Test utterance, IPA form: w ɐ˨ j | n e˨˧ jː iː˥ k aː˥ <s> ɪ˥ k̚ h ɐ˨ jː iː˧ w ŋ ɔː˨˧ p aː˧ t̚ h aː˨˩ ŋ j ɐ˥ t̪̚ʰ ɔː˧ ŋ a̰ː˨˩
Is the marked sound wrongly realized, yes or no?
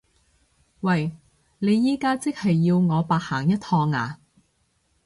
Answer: yes